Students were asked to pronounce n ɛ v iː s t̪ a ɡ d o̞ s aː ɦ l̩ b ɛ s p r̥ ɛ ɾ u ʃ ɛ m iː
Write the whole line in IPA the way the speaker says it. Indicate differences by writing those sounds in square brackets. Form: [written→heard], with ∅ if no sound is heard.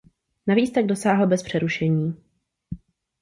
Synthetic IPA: n [ɛ→a] v iː [s→t͡s] t̪ a ɡ d o̞ s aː ɦ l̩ b ɛ s p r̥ ɛ ɾ u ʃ ɛ [m→ɲ] iː